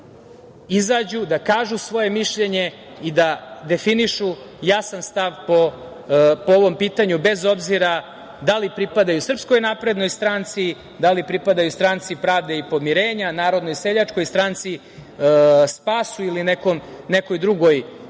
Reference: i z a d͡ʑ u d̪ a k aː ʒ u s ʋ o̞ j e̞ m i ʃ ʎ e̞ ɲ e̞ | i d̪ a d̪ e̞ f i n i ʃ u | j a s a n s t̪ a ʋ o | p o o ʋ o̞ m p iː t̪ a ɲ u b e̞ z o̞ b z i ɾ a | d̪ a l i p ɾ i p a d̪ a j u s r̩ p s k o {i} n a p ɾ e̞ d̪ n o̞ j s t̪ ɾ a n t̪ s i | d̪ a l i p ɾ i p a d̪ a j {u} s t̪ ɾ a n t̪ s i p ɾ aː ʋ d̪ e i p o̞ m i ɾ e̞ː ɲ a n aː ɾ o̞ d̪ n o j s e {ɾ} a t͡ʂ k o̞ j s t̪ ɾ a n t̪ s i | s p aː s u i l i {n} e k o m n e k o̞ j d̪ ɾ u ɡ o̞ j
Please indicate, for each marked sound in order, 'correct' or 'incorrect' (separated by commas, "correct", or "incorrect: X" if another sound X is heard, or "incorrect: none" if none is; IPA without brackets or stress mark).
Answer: incorrect: j, correct, incorrect: ʎ, correct